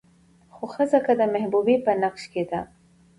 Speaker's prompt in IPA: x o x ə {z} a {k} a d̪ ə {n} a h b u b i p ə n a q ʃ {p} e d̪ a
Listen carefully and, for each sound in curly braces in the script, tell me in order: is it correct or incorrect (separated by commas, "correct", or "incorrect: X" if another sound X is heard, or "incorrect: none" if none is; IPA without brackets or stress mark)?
correct, correct, incorrect: m, incorrect: k